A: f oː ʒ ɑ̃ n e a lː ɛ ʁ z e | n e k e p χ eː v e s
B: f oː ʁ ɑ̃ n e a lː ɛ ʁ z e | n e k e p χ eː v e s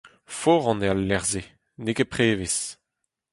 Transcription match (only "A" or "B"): B